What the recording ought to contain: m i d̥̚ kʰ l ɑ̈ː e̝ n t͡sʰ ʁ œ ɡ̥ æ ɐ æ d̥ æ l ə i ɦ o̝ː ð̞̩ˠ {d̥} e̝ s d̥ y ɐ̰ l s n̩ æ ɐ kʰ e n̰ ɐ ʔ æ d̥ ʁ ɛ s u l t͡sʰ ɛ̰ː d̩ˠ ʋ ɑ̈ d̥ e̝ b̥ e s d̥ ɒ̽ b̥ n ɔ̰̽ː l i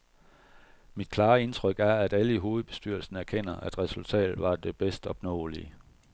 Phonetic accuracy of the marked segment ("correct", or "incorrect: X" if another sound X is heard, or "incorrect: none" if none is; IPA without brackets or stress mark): incorrect: b̥